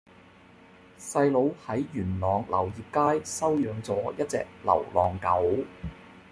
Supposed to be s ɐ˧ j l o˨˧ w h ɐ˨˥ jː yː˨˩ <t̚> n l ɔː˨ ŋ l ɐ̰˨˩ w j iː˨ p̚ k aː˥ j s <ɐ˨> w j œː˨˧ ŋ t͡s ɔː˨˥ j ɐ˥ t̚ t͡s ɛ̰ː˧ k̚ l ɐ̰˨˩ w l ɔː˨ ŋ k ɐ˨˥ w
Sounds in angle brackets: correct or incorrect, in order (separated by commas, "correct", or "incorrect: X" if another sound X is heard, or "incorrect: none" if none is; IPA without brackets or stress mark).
incorrect: none, incorrect: ɐ˥